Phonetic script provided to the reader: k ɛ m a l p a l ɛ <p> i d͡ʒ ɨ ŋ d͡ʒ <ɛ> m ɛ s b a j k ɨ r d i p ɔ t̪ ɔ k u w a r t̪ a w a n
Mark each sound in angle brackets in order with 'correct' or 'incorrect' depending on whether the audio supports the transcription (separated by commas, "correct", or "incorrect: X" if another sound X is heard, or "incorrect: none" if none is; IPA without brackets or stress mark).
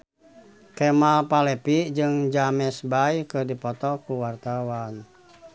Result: correct, incorrect: a